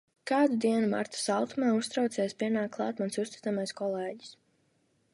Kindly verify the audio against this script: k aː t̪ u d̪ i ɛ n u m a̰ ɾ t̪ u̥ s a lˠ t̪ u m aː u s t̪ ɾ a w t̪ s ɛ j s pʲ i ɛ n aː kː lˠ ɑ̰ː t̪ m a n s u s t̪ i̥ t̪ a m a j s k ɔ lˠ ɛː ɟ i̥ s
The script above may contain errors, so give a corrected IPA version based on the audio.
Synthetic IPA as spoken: k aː d̪ u d̪ i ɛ n u m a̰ ɾ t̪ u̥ s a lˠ t̪ u m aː u s t̪ ɾ a w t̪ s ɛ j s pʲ i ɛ n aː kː lˠ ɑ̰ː t̪ m a n s u s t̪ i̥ t̪ a m a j s k ɔ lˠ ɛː ɟ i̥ s